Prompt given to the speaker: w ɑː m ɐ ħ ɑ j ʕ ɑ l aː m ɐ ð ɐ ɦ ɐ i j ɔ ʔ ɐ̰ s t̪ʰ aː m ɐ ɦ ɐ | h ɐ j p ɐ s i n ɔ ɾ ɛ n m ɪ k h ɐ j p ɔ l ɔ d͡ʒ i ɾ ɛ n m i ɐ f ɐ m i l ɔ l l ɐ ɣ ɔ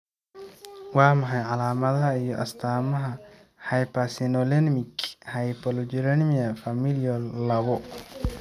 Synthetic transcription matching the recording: w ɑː m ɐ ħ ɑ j ʕ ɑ l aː m ɐ ð ɐ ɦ ɐ i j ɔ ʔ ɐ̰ s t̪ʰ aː m ɐ ɦ ɐ | h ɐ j p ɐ s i n ɔ l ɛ n m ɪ k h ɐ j p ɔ l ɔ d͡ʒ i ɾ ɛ n m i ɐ f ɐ m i l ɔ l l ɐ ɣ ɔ